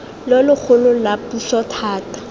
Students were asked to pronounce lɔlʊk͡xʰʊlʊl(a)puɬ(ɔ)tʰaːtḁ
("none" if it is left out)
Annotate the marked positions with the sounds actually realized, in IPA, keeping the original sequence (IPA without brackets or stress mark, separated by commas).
a, ɔ